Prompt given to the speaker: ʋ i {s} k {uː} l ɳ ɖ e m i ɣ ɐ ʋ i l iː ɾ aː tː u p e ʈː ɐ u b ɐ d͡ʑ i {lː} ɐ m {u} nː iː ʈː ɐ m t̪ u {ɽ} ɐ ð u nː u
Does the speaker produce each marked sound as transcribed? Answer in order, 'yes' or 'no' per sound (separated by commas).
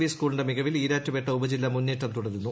yes, yes, yes, yes, yes